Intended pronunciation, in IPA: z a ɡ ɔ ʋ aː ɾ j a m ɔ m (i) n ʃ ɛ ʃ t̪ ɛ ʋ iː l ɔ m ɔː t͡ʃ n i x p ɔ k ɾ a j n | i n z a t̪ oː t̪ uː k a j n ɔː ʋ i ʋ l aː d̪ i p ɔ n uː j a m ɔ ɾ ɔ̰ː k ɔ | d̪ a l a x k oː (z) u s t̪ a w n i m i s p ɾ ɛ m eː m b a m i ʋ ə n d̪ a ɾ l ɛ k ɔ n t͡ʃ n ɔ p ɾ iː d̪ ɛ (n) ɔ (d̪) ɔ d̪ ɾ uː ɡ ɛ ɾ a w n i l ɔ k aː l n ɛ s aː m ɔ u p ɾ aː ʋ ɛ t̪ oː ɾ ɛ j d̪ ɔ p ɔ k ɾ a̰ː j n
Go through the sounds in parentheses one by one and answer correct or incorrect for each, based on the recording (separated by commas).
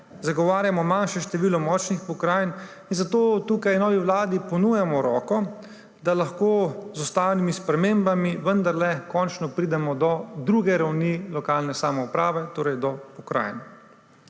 incorrect, correct, incorrect, correct